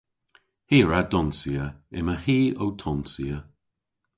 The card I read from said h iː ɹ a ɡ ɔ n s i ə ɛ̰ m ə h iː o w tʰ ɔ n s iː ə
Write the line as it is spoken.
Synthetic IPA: h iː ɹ a d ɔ n s i ə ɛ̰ m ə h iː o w tʰ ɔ n s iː ə